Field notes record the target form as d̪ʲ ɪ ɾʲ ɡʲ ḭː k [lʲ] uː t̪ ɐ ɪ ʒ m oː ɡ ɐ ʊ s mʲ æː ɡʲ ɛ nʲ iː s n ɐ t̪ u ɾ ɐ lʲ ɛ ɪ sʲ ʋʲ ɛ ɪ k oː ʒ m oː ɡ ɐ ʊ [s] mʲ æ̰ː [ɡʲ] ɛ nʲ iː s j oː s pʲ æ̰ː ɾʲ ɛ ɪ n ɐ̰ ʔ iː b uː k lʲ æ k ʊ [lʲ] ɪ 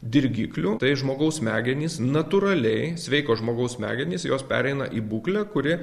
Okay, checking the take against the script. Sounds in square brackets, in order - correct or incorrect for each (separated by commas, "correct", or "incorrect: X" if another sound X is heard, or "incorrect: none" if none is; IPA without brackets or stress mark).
correct, correct, correct, incorrect: ɾʲ